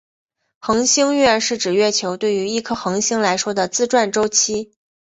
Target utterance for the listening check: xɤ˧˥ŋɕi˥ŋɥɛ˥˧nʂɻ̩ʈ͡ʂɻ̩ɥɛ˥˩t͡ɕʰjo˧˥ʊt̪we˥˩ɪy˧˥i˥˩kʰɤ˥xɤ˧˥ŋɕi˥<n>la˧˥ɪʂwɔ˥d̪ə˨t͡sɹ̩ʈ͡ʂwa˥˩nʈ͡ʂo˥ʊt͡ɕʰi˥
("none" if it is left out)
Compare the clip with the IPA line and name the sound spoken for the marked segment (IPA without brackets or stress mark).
ŋ